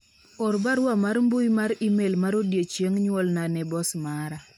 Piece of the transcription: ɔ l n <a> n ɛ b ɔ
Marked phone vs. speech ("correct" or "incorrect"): correct